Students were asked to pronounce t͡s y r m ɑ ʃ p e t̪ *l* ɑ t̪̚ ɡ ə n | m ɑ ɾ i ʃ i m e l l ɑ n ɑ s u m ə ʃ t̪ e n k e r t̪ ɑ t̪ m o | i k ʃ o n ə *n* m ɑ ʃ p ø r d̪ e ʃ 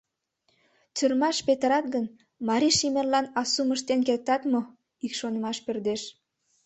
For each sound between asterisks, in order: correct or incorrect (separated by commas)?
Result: incorrect, incorrect